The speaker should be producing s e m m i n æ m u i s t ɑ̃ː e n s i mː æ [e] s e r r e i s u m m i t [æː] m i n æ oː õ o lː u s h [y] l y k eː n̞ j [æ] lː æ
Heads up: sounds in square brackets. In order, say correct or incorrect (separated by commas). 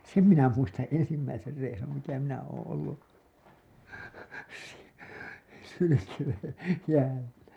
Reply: incorrect, incorrect, correct, incorrect